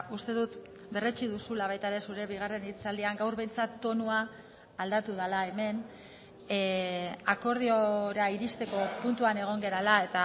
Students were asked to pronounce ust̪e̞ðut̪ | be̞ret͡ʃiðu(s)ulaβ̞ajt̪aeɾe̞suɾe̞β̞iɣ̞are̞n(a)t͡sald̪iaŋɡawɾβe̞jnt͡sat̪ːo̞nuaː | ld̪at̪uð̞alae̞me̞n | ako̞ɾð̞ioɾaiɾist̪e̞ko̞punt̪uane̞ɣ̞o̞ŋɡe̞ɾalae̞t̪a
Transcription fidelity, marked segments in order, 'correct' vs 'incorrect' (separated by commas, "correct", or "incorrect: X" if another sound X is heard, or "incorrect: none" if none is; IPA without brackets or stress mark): correct, incorrect: i